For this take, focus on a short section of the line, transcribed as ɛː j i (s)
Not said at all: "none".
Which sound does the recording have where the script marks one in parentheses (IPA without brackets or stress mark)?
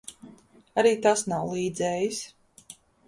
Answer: s